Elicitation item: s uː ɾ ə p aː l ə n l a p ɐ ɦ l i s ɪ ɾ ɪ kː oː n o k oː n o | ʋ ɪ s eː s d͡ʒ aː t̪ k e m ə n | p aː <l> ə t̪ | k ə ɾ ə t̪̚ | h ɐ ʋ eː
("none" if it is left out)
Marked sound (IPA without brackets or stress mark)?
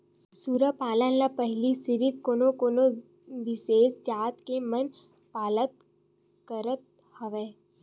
l